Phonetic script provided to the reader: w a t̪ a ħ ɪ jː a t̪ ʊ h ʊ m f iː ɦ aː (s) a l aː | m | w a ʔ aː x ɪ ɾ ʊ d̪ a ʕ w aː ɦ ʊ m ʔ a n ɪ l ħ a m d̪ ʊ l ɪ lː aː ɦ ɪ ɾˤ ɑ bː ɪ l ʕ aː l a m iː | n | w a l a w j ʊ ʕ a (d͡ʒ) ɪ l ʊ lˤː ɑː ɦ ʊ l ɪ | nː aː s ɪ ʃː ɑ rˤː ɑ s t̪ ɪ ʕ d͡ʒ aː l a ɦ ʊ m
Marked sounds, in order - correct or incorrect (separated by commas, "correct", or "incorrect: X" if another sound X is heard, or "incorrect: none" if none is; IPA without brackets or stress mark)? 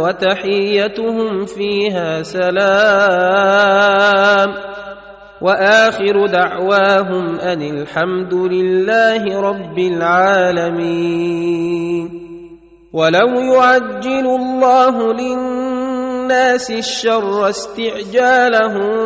correct, incorrect: d͡ʒː